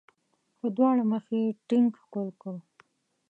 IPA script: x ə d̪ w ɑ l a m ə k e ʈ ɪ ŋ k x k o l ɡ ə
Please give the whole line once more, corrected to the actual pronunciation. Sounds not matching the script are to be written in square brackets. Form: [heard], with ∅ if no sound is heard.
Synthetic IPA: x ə d̪ w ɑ [ɽ] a m ə [x] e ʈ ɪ ŋ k x k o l [k] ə